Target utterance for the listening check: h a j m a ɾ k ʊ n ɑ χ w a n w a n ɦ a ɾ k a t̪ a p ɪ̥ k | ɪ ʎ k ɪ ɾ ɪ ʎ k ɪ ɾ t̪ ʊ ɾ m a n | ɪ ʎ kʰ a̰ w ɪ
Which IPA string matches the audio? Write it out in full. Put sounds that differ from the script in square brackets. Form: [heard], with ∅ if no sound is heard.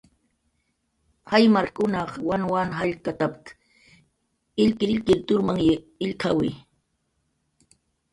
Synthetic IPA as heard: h a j m a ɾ k ʊ n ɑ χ w a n w a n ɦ a [ʎ] k a t̪ a p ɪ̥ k | ɪ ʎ k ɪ ɾ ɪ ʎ k ɪ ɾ t̪ ʊ ɾ m a [ŋ] | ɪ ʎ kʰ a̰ w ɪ